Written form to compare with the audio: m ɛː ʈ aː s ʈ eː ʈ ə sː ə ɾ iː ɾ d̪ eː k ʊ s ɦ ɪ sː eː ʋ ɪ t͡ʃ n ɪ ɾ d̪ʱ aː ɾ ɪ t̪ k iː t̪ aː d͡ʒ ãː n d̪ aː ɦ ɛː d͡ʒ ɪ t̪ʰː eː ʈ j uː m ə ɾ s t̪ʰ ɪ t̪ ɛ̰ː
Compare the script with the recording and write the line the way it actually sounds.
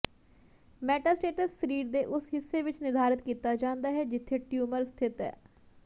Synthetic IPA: m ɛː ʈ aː s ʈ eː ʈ ə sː ə ɾ iː ɾ d̪ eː ʔ ʊ s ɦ ɪ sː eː ʋ ɪ t͡ʃ n ɪ ɾ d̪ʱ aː ɾ ɪ t̪ k iː t̪ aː d͡ʒ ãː n d̪ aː ɦ ɛː d͡ʒ ɪ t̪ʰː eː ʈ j uː m ə ɾ s t̪ʰ ɪ t̪ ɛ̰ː